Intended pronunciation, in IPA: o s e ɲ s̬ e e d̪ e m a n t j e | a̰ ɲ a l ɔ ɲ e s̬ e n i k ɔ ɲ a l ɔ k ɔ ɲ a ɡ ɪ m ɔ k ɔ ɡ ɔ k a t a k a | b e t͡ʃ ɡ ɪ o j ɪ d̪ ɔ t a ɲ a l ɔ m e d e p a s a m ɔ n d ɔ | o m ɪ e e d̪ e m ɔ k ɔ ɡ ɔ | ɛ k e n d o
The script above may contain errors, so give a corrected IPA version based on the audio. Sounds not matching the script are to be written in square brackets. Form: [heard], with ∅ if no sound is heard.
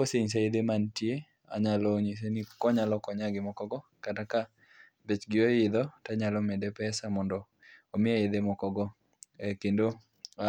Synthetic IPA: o s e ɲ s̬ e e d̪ e m a n t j e | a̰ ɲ a l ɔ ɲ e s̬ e n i k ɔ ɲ a l ɔ k ɔ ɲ a ɡ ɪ m ɔ k ɔ ɡ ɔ k a t a k a | b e t͡ʃ ɡ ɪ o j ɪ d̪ ɔ t a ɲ a l ɔ m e d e p [ɛ] s a m ɔ n d ɔ | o m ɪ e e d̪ e m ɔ k ɔ ɡ ɔ | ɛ k e n d o